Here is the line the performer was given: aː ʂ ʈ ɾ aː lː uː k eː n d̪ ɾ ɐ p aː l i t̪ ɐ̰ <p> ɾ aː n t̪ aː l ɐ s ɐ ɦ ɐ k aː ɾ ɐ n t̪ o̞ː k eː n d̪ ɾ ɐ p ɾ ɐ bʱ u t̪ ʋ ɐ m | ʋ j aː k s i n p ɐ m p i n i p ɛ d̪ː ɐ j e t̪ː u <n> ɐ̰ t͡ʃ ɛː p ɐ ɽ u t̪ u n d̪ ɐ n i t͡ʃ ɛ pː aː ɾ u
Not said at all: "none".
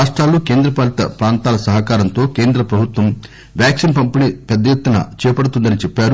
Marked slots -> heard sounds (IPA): p, n

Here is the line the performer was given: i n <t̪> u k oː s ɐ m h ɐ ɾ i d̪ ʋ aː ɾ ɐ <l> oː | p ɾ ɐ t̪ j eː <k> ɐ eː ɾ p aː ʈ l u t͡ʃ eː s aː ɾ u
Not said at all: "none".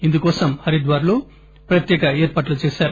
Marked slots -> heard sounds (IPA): d̪, l, k

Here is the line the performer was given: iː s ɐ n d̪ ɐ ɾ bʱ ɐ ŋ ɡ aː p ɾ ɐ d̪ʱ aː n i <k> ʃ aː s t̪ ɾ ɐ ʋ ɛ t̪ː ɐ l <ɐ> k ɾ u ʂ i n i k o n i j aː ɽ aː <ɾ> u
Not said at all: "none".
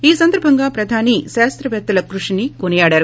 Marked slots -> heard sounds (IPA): none, ɐ, ɾ

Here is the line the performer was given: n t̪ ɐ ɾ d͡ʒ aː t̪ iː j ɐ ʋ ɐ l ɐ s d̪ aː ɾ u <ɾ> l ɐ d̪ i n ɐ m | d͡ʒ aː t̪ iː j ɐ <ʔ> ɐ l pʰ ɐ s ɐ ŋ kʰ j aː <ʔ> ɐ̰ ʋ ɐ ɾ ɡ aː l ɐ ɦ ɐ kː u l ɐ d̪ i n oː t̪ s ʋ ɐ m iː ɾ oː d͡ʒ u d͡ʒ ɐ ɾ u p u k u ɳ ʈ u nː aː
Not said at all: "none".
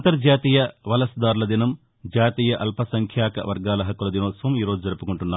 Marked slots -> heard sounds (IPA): none, ʔ, k

